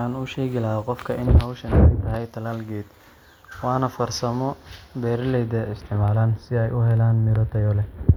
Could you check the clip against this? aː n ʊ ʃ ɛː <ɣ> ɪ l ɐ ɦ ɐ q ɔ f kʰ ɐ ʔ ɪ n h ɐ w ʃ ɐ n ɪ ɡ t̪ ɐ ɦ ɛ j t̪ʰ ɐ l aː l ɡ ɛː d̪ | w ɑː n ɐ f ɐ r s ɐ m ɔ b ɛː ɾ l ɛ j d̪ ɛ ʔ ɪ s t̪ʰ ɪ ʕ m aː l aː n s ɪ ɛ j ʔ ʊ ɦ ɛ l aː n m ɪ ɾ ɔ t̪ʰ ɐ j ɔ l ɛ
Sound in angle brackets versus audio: correct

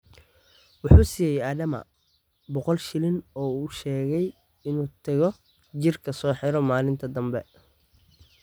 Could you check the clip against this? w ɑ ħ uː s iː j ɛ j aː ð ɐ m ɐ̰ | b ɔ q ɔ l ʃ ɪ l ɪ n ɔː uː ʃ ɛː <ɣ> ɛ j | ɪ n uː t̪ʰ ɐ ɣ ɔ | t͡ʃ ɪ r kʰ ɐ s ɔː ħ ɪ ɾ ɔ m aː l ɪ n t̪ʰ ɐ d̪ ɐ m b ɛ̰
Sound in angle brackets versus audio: correct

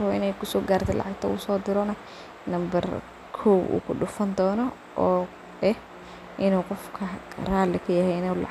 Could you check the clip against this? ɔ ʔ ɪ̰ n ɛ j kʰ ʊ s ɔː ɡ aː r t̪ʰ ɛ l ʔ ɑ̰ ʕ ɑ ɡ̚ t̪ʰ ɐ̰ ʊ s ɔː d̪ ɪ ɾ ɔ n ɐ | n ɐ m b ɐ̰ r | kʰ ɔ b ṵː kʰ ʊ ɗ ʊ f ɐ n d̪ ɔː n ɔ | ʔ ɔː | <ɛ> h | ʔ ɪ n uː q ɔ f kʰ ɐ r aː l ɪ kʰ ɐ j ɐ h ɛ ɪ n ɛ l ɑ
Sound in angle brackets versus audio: correct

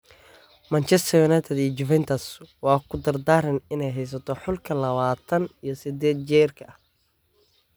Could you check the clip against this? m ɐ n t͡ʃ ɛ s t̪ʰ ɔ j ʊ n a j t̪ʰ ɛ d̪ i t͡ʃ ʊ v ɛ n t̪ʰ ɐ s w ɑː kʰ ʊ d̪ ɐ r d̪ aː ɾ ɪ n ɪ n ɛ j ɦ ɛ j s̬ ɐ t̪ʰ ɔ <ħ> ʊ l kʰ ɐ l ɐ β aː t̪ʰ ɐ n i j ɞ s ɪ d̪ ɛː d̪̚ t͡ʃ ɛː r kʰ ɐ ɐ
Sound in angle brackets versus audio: correct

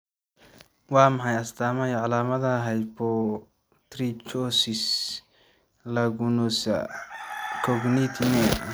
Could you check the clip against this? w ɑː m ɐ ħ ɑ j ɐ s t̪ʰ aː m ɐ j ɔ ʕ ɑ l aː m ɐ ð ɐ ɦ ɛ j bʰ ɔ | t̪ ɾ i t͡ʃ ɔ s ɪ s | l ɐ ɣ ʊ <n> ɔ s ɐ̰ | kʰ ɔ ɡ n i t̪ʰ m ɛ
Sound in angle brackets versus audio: correct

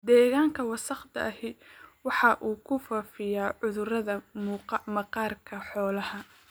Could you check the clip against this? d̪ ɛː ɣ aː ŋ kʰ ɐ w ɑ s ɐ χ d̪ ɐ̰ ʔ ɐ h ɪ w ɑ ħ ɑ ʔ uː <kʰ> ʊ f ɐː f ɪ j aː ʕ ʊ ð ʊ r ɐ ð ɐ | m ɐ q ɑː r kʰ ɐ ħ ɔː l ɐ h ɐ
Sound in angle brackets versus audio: correct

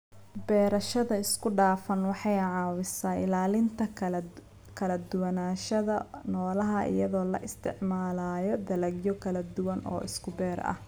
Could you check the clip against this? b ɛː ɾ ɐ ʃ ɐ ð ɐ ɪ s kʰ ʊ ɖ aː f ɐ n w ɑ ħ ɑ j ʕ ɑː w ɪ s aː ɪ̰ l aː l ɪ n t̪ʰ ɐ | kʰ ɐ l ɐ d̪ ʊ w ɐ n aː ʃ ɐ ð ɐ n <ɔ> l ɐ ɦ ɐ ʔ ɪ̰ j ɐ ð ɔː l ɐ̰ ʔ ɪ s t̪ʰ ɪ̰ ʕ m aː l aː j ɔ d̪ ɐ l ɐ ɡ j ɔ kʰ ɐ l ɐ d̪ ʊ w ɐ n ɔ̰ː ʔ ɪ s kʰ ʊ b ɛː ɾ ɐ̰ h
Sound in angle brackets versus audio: incorrect: ɔː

